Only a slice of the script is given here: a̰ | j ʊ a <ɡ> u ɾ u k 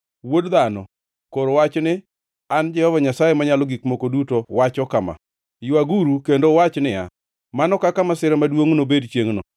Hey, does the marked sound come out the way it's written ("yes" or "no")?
yes